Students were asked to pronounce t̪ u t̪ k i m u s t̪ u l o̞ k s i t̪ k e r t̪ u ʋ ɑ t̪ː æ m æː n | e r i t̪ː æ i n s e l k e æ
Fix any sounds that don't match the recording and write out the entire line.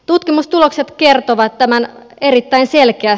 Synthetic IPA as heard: t̪ u t̪ k i m u s t̪ u l o̞ k s e t̪ k e r t̪ o ʋ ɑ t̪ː æ m æ n | e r i t̪ː æ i n s e l k e æ